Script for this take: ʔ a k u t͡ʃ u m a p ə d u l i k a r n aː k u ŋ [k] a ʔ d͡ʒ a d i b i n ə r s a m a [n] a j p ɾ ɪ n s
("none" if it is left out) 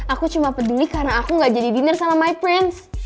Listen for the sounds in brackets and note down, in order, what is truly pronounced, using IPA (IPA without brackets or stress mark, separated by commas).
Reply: ɡ, m